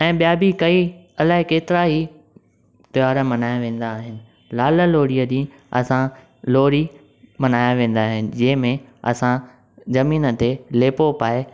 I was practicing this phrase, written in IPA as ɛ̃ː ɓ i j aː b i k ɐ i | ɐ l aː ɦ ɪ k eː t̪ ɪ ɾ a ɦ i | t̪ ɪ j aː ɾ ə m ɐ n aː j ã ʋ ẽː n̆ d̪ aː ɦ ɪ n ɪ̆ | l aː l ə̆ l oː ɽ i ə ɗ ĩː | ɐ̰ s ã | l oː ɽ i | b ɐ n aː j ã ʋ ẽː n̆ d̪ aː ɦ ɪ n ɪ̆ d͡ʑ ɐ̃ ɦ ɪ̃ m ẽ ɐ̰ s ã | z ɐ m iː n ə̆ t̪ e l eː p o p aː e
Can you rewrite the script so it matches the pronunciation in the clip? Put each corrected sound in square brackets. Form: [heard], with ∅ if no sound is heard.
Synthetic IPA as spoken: ɛ̃ː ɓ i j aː b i k ɐ i | ɐ l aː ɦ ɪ k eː t̪ ɪ ɾ a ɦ i | t̪ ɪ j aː ɾ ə m ɐ n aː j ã ʋ ẽː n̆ d̪ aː ɦ ɪ n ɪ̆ | l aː l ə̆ l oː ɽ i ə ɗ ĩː | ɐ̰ s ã | l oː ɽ i | [m] ɐ n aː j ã ʋ ẽː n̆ d̪ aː ɦ ɪ n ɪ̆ d͡ʑ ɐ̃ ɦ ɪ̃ m ẽ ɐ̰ s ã | z ɐ m iː n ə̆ t̪ e l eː p o p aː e